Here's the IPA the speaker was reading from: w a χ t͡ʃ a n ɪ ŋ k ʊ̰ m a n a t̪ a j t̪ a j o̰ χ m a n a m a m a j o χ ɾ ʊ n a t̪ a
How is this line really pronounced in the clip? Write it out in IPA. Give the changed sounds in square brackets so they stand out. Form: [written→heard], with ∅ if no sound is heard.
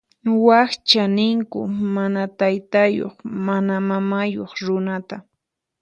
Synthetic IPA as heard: w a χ t͡ʃ a n ɪ ŋ k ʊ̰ m a n a t̪ a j t̪ a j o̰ χ m a n a m a m a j o χ ɾ ʊ n a t̪ a